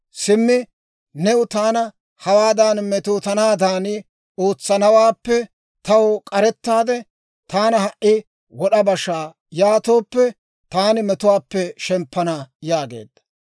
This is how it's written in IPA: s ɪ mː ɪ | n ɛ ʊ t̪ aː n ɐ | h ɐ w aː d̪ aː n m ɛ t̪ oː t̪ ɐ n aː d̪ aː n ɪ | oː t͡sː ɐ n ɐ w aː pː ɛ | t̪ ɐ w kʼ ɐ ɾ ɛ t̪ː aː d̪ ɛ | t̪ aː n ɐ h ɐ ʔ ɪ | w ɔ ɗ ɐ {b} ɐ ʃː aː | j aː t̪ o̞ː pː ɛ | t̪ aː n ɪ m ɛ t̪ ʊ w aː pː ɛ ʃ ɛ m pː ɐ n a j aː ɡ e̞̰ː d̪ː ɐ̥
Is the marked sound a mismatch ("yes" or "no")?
no